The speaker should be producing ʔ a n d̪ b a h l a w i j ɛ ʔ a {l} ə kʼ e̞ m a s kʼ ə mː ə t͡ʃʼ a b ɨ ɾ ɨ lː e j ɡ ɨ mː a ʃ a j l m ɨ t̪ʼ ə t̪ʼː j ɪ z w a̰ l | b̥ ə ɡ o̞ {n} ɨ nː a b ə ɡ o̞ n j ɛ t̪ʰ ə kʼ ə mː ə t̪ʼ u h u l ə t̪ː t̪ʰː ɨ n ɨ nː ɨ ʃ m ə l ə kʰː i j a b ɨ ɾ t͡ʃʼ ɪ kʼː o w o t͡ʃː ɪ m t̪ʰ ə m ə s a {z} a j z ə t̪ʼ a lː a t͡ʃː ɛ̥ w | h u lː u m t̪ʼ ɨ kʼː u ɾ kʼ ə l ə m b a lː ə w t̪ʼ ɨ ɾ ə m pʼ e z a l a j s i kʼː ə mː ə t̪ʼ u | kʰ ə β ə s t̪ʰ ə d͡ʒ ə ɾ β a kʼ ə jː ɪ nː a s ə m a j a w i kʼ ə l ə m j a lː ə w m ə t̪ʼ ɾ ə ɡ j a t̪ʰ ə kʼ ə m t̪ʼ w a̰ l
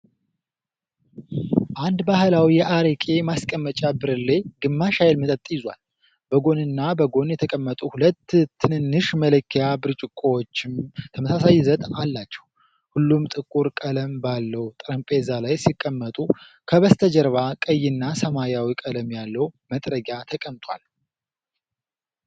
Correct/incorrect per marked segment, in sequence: incorrect, correct, incorrect

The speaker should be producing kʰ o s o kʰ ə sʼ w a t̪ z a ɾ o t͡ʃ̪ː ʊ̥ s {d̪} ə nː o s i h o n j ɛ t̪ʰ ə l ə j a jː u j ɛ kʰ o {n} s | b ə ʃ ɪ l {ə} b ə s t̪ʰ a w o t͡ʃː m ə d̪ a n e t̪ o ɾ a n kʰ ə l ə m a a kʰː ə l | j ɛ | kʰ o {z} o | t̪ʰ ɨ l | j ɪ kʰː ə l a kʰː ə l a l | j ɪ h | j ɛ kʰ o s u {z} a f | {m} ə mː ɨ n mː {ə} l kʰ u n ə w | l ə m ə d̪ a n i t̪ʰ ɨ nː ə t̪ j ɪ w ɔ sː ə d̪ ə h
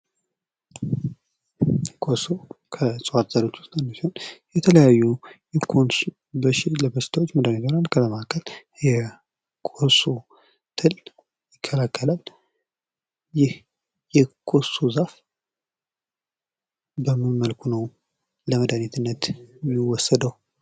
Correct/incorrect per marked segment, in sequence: incorrect, correct, correct, incorrect, correct, incorrect, correct

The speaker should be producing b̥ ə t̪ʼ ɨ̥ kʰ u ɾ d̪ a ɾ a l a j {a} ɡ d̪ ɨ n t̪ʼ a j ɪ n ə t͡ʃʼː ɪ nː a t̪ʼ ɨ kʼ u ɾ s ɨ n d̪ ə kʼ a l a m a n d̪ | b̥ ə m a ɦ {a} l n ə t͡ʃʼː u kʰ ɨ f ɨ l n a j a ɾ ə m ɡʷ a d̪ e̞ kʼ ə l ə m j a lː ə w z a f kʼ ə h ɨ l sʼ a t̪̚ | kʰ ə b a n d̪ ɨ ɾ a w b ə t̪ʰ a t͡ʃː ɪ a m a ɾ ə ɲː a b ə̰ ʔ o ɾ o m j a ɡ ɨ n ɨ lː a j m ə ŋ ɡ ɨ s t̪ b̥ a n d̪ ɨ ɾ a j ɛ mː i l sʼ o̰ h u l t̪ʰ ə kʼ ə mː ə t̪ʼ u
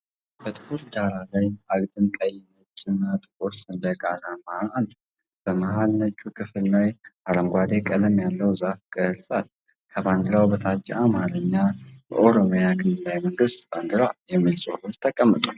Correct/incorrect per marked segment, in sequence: correct, correct

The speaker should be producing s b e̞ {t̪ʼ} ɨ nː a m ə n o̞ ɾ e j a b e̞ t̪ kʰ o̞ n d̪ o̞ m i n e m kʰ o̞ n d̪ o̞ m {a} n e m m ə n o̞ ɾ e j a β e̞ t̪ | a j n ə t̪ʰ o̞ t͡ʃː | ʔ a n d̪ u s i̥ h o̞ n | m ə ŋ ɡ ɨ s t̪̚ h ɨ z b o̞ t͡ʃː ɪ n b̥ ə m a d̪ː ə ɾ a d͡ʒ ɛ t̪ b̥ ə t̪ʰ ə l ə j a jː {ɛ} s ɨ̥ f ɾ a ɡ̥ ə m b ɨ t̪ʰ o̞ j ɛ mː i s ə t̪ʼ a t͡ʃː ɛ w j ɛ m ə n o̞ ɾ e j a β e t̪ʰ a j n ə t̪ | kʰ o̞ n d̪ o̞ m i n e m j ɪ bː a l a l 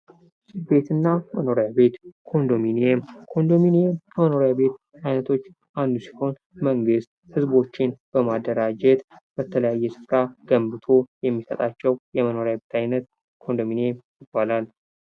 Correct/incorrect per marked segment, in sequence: incorrect, incorrect, correct

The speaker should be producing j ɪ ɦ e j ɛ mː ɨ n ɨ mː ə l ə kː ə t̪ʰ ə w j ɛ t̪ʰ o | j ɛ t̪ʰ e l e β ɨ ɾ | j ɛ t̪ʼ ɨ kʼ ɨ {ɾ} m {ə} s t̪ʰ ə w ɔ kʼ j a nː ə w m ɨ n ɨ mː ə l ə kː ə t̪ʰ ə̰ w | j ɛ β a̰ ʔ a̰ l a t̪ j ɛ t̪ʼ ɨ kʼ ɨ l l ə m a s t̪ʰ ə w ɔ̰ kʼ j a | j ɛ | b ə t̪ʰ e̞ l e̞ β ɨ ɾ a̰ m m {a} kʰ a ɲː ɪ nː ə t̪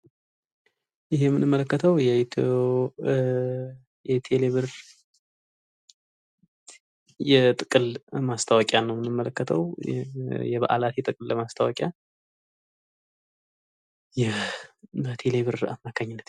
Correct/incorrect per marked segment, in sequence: incorrect, incorrect, correct

